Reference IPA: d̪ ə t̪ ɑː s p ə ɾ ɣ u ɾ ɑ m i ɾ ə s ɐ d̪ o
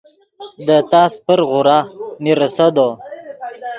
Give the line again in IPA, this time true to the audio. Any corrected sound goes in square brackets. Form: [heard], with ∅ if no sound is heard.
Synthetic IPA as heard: d̪ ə t̪ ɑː s p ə ɾ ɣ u ɾ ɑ m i ɾ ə s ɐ d̪ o